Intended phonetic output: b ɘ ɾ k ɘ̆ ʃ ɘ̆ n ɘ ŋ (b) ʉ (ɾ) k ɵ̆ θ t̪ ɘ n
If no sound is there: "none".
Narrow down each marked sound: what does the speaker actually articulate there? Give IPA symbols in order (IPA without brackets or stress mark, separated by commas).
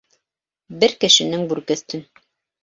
b, ɾ